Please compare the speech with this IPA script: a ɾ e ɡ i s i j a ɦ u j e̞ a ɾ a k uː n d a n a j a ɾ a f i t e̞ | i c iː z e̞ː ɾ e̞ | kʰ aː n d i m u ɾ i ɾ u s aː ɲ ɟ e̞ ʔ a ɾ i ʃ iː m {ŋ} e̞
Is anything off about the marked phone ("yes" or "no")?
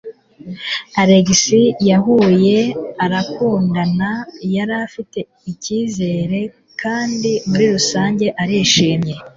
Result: yes